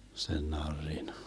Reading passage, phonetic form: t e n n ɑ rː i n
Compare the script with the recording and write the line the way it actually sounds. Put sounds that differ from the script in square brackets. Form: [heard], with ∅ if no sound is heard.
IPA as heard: [s] e n n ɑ rː i n